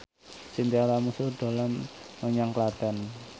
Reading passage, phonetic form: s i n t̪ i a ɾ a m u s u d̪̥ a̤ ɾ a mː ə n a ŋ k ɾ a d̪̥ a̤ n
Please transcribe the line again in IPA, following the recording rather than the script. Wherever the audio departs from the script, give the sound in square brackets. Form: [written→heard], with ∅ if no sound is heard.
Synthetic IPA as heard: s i n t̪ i a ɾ a m u s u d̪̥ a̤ [ɾ→l] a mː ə [n→ɲ] a ŋ k [ɾ→l] a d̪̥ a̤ n